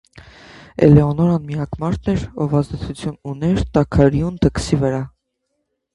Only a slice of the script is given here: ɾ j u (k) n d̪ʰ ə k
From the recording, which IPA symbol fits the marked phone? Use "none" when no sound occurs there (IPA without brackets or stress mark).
none